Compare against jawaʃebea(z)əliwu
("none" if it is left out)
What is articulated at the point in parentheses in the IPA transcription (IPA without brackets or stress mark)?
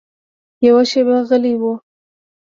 ɣ